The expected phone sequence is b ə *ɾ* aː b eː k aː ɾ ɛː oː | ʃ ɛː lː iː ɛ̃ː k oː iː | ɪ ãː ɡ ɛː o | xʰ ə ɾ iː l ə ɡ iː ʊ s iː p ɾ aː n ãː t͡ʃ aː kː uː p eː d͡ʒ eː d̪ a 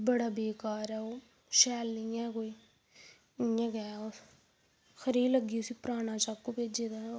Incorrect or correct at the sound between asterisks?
incorrect: ɽ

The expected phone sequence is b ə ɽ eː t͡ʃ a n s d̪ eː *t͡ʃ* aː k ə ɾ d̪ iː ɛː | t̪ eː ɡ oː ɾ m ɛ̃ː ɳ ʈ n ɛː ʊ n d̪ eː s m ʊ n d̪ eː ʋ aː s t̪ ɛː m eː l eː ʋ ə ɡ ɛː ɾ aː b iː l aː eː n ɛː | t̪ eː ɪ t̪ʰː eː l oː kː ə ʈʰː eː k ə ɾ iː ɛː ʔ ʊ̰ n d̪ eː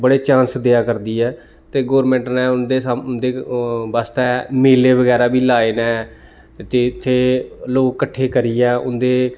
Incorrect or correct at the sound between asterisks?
incorrect: none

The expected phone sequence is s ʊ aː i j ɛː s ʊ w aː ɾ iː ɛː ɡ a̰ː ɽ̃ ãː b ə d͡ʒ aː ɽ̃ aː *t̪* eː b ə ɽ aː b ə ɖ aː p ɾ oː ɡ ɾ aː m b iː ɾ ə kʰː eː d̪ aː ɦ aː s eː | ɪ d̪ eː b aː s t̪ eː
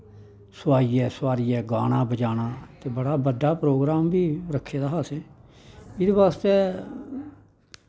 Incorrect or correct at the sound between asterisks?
correct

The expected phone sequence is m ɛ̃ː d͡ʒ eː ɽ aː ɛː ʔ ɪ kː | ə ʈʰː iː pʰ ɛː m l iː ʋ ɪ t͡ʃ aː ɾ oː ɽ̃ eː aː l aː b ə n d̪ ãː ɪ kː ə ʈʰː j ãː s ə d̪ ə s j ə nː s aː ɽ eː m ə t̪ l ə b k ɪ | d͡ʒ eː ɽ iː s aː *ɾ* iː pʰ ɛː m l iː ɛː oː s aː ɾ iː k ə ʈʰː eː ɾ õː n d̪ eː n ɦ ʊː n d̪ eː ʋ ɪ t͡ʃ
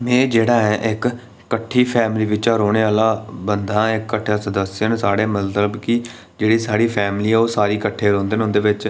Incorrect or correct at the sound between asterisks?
incorrect: ɽ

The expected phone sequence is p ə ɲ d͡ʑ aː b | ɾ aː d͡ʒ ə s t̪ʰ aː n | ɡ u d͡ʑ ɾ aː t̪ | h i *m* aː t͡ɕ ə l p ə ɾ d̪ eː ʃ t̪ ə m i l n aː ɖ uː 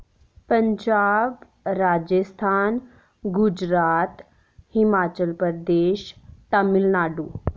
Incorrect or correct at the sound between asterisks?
correct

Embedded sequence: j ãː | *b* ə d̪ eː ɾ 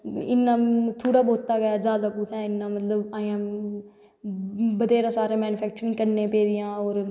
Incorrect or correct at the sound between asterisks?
correct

